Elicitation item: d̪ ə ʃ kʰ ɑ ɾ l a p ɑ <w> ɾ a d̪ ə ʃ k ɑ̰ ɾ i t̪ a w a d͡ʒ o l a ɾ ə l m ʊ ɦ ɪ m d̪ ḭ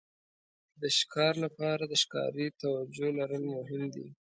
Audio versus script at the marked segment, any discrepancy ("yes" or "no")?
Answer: yes